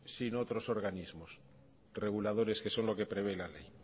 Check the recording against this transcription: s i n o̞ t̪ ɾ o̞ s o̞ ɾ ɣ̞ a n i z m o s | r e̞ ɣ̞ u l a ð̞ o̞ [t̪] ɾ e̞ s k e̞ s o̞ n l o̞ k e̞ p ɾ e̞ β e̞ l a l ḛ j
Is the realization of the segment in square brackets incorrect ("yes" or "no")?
yes